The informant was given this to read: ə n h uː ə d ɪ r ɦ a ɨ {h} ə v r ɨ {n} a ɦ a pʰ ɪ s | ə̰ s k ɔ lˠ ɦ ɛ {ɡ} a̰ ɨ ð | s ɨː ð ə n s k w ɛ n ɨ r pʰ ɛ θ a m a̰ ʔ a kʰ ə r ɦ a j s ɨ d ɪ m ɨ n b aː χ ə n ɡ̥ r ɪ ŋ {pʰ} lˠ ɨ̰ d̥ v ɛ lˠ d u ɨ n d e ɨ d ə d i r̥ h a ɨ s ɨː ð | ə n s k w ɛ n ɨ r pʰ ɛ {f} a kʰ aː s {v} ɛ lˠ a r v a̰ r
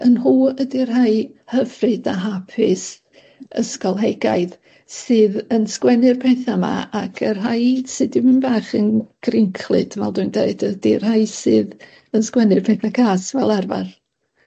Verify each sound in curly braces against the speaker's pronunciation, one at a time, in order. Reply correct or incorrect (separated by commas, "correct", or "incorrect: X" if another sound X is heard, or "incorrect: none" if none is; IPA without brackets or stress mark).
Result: correct, incorrect: d, correct, incorrect: kʰ, incorrect: θ, correct